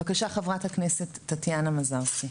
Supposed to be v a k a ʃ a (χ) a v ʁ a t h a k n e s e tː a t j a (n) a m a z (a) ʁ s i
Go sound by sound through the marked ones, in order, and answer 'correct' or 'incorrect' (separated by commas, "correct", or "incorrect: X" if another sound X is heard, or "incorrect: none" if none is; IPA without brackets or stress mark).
correct, correct, correct